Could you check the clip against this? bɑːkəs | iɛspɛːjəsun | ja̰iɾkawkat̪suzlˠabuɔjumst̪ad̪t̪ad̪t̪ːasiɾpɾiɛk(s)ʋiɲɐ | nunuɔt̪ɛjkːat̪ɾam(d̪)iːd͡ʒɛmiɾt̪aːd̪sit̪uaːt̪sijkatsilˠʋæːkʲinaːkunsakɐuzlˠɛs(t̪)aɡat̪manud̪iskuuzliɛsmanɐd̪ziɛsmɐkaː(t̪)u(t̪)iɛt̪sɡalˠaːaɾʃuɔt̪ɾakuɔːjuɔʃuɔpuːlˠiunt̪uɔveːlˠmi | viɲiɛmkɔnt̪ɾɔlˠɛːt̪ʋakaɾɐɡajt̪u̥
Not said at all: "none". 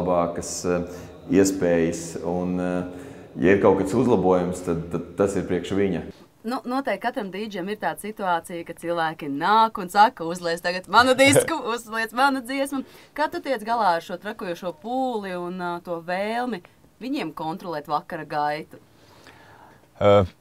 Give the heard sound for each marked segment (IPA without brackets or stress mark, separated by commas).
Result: ʃ, d̪, t̪, t̪, t̪